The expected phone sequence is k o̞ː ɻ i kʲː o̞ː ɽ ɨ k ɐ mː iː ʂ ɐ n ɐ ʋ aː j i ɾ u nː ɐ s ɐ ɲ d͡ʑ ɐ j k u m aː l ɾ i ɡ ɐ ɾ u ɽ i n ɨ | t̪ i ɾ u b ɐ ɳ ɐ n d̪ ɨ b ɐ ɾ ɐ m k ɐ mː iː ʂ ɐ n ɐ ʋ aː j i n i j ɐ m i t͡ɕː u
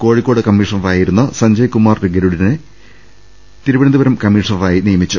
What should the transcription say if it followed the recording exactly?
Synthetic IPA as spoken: k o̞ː ɻ i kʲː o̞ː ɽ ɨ k ɐ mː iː ʂ ɐ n ɐ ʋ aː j i ɾ u nː ɐ s ɐ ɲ d͡ʑ ɐ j k u m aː r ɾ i ɡ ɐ ɾ u ɽ i n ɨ | t̪ i ɾ u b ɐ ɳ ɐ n d̪ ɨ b ɐ ɾ ɐ m k ɐ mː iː ʂ ɐ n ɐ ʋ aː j i n i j ɐ m i t͡ɕː u